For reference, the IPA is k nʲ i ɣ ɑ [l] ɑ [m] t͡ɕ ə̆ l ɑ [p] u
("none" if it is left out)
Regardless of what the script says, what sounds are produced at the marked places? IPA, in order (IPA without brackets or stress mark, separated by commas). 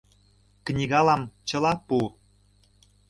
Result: l, m, p